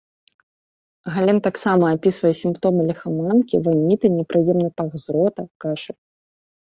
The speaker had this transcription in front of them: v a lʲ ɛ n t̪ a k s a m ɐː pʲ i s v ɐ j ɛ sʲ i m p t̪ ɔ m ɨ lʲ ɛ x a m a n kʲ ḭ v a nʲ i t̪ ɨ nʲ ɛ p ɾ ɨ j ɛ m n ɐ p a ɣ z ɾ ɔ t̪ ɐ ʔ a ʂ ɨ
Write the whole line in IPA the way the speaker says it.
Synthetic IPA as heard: ɣ a lʲ ɛ n t̪ a k s a m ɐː pʲ i s v ɐ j ɛ sʲ i m p t̪ ɔ m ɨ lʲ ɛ x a m a n kʲ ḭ v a nʲ i t̪ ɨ nʲ ɛ p ɾ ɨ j ɛ m n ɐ p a ɣ z ɾ ɔ t̪ ɐ k a ʂ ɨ